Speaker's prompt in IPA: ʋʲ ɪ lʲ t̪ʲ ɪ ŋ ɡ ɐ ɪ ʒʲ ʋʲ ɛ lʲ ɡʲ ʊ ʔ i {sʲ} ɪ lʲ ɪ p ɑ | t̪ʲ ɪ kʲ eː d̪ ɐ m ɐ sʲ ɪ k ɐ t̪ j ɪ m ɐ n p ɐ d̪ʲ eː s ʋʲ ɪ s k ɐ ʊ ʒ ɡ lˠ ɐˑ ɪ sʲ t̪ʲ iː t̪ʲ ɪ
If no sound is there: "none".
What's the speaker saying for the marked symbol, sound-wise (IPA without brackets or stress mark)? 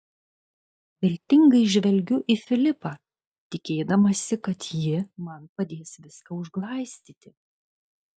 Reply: fʲ